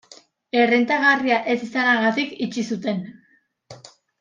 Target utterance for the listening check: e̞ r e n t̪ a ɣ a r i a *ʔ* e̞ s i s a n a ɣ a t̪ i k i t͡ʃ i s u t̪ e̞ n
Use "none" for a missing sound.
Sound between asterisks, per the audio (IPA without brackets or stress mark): ʔ